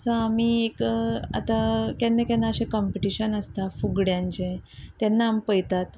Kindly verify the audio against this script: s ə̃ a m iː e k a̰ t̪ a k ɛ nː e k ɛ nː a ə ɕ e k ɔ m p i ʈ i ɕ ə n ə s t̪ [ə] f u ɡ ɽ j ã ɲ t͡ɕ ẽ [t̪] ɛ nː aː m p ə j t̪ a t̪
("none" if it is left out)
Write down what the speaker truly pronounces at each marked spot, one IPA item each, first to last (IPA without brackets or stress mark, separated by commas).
a, t̪